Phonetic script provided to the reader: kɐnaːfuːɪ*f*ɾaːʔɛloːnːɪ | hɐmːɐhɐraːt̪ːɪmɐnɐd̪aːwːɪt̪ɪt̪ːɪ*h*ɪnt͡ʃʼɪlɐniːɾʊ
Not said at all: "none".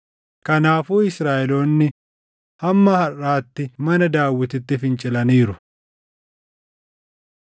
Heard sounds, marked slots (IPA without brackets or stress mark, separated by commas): s, f